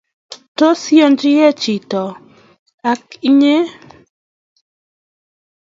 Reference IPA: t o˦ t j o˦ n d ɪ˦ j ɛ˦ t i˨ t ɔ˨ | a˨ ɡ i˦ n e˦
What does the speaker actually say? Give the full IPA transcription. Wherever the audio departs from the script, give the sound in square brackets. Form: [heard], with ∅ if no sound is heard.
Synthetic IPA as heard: t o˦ [s] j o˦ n [d͡ʒ] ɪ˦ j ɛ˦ [t͡ʃ] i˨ t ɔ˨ | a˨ [k] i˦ [ɲ] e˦